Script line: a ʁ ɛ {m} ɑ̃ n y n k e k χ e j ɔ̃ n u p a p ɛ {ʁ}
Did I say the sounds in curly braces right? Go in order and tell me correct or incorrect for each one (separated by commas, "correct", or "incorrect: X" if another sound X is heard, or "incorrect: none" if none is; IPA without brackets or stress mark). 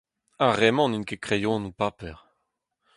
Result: correct, correct